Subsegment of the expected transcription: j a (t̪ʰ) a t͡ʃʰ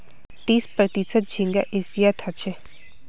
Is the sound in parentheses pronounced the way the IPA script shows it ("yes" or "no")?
yes